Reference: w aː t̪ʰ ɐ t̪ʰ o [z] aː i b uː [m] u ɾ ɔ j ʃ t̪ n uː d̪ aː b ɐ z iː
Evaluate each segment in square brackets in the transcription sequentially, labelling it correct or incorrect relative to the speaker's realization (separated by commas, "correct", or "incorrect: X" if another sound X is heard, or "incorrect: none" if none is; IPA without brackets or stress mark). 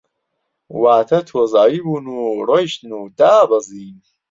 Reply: correct, incorrect: n